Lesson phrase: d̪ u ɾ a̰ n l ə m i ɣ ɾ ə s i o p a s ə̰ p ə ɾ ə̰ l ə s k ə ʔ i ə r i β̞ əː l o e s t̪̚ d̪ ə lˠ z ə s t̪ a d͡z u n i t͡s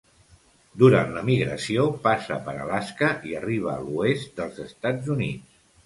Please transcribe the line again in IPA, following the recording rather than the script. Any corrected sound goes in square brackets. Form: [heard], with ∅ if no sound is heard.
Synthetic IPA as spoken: d̪ u ɾ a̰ n l ə m i ɣ ɾ ə s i o p a s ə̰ p ə ɾ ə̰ l [a] s k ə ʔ i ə r i β̞ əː l [u] e s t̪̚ d̪ ə lˠ z ə s t̪ a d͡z u n i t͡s